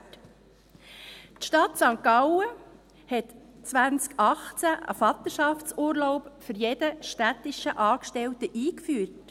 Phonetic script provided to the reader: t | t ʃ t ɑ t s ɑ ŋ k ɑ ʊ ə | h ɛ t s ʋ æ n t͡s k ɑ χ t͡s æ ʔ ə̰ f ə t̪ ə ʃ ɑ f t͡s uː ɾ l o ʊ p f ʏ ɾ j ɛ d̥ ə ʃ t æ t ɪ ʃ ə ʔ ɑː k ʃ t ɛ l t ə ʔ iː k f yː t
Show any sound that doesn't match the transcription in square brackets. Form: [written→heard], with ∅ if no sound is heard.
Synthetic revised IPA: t | t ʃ t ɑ t s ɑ ŋ k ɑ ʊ ə | h ɛ t [s→t͡s] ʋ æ n t͡s k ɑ χ t͡s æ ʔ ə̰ f [ə→ɑ] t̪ ə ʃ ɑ f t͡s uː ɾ l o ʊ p f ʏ ɾ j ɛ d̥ ə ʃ t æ t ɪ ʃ ə ʔ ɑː k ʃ t ɛ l t ə ʔ iː k f yː t